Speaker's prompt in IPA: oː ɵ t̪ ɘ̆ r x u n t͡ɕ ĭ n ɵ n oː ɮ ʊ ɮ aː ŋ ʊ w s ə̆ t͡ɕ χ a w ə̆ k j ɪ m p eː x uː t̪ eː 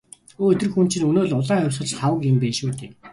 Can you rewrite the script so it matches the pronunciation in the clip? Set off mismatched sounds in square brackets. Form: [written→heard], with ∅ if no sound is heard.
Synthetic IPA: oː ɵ t̪ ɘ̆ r x u n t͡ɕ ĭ n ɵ n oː ɮ ʊ ɮ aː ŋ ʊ w s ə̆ t͡ɕ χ a w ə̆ k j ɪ m p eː [x→ʃ] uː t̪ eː